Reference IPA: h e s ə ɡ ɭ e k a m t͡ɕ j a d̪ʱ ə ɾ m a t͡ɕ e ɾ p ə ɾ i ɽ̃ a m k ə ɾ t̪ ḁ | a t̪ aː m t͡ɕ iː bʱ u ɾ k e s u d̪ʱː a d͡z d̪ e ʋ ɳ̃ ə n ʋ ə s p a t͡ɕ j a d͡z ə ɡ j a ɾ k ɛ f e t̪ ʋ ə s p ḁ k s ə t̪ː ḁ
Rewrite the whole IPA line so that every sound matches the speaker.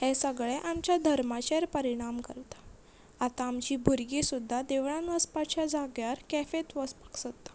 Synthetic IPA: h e s ə ɡ ɭ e ʔ a m t͡ɕ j a d̪ʱ ə ɾ m a t͡ɕ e ɾ p ə ɾ i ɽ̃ a m k ə ɾ t̪ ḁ | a t̪ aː m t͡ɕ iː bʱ u ɾ ɡ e s u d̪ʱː a d̪ e ʋ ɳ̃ a n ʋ ə s p a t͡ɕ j a d͡z a ɡ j a ɾ k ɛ f e t̪ ʋ ə s p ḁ k s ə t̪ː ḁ